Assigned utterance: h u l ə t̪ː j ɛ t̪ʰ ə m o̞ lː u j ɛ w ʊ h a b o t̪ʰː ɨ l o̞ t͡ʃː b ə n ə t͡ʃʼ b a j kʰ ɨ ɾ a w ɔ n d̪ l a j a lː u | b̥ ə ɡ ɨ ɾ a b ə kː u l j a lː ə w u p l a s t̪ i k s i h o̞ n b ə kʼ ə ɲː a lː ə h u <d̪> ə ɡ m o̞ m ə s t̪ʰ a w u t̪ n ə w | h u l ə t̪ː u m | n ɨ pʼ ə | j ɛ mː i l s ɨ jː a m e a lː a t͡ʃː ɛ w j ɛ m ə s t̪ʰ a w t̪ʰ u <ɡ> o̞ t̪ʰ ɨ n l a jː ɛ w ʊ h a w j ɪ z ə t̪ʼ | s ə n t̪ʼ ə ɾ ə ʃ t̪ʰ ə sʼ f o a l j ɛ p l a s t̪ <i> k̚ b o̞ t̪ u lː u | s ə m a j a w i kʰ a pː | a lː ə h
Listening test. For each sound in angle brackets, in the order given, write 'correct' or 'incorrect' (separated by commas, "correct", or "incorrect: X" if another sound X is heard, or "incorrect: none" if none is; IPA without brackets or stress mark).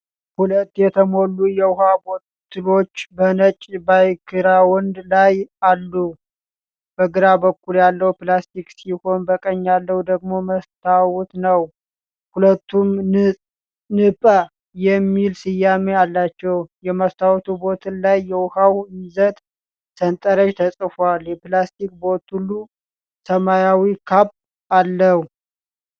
correct, incorrect: b, correct